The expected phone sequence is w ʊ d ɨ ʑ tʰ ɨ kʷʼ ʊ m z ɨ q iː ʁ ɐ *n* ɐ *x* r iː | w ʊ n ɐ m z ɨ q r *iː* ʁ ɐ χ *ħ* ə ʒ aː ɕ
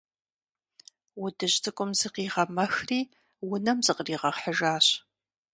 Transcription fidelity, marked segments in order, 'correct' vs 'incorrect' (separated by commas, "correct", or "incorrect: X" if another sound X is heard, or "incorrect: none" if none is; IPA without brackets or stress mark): incorrect: m, correct, correct, correct